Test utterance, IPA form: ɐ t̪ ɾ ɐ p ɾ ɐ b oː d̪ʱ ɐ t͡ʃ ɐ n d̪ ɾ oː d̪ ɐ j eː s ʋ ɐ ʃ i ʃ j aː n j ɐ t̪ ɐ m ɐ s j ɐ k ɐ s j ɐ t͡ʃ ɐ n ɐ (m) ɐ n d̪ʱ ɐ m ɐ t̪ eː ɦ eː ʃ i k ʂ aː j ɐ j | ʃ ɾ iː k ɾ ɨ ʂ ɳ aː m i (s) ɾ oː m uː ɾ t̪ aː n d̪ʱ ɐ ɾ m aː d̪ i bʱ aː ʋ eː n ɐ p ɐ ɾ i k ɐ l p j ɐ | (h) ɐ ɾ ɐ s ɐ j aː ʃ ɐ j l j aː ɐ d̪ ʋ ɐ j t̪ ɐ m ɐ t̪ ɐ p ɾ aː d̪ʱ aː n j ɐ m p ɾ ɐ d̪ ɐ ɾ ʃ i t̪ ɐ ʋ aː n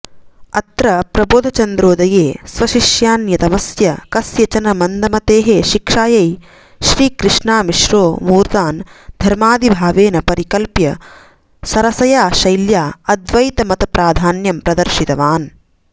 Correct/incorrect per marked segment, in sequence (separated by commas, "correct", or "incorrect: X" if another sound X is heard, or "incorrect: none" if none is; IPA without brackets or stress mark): correct, incorrect: ʃ, incorrect: s